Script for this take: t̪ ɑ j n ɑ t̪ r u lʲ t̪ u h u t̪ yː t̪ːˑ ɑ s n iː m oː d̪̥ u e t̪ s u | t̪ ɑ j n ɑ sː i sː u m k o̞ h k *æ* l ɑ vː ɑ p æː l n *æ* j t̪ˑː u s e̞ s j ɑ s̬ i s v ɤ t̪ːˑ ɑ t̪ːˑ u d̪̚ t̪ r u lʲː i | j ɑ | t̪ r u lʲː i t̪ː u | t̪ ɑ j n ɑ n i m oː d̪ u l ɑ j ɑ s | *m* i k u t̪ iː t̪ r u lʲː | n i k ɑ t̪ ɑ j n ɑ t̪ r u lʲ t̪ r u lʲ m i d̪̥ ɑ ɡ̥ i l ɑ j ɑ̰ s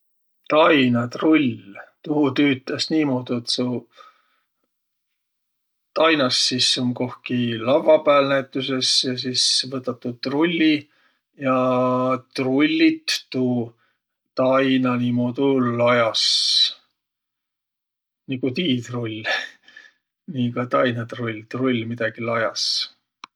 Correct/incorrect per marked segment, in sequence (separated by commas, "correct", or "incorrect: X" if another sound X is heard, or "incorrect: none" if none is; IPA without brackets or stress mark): incorrect: i, correct, incorrect: n